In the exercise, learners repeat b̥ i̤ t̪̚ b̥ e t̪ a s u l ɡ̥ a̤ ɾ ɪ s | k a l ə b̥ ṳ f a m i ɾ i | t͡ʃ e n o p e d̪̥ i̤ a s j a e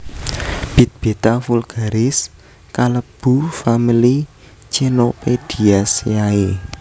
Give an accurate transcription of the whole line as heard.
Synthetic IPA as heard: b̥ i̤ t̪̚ b̥ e t̪ a f u l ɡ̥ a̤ ɾ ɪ s | k a l ə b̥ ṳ f a m i l i | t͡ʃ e n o p e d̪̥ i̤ a s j a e